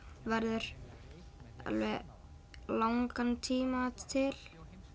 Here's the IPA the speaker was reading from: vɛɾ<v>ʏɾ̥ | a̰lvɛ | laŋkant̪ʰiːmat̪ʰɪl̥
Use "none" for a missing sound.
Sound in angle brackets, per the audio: ð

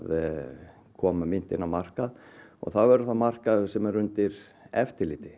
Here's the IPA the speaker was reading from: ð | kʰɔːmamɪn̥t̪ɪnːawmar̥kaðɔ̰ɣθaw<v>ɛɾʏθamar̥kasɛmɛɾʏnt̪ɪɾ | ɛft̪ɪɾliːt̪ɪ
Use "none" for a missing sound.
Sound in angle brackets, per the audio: v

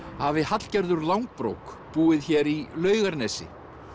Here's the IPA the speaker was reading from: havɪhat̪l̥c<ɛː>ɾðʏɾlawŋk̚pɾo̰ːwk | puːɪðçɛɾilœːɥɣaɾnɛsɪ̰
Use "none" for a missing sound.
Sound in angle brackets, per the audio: ɛ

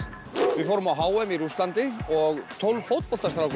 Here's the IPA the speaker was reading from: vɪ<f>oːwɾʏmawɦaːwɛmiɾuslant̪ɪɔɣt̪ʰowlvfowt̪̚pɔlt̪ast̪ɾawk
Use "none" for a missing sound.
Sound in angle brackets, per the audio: f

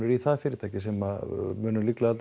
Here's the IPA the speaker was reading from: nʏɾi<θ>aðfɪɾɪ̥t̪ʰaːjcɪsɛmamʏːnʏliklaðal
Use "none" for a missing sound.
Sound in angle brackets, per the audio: θ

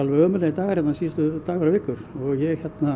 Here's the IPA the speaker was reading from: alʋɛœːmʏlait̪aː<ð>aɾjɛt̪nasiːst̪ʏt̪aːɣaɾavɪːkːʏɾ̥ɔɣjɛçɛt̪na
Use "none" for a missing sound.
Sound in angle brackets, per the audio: ɣ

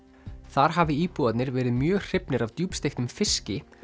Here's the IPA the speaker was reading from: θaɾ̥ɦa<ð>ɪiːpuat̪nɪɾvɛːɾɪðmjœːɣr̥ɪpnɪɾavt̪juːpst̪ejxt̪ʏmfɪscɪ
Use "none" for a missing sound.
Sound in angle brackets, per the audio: v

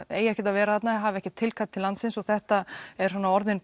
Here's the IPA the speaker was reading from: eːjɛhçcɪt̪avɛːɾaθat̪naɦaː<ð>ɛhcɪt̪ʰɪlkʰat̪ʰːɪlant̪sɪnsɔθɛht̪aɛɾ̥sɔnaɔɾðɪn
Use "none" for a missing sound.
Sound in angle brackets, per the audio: v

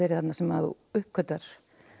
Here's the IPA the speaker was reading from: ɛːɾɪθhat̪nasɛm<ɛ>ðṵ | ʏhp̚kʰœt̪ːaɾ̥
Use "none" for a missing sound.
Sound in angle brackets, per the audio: a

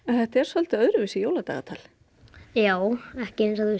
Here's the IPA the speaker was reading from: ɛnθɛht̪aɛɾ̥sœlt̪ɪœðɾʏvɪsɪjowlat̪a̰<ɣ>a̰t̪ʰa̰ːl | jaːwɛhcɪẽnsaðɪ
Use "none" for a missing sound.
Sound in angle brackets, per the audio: ɣ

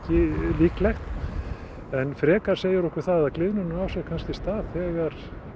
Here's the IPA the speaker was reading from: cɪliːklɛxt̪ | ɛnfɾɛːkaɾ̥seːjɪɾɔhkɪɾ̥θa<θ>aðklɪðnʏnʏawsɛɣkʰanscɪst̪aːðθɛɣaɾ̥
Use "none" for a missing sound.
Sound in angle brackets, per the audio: ð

